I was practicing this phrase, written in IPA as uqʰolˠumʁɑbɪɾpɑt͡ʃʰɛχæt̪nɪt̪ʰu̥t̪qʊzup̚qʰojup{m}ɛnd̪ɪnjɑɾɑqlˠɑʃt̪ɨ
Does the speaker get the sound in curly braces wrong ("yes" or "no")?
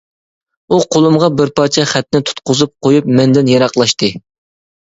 no